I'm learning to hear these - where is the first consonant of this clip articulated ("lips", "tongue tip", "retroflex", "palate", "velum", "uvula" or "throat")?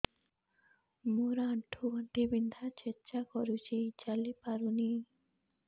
lips